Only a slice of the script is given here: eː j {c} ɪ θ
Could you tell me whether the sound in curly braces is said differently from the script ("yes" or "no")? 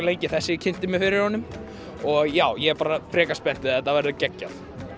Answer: no